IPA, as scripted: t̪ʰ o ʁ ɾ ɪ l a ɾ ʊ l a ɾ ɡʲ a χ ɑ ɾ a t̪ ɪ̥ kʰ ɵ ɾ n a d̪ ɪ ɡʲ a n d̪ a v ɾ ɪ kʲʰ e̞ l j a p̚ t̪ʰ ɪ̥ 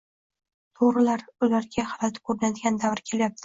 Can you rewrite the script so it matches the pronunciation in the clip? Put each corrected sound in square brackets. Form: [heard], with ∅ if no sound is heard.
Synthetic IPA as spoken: t̪ʰ o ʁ ɾ ɪ l a ɾ ʊ l a ɾ ɡʲ a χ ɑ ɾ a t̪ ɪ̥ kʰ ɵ ɾ n a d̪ ɪ ɡʲ a n d̪ a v ɾ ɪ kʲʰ e̞ l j a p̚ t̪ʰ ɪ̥